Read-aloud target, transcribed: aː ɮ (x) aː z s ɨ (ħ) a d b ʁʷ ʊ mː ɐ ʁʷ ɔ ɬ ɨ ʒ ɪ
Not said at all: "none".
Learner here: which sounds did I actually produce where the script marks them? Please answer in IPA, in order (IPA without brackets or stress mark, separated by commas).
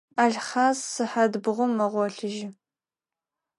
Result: χ, ħ